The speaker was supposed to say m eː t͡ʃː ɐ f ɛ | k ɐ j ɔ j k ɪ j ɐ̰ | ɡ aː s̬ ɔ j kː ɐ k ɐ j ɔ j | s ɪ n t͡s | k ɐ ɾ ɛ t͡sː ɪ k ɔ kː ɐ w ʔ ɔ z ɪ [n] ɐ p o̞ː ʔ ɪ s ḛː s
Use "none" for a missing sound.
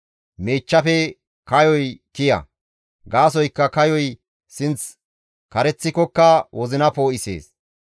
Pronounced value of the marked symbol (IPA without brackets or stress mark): n